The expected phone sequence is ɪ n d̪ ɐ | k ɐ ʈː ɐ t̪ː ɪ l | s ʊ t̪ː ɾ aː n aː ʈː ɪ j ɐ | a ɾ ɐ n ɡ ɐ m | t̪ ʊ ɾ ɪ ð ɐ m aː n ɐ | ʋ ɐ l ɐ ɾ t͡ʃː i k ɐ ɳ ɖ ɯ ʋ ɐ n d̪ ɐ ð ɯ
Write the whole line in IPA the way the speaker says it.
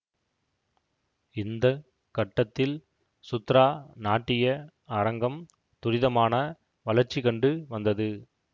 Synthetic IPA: ɪ n d̪ ɐ | k ɐ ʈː ɐ t̪ː ɪ l | s ʊ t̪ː ɾ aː n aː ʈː ɪ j ɐ | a ɾ ɐ ŋ ɡ ɐ m | t̪ ʊ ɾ ɪ ð ɐ m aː n ɐ | ʋ ɐ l ɐ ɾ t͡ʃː i k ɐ ɳ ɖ ɯ ʋ ɐ n d̪ ɐ ð ɯ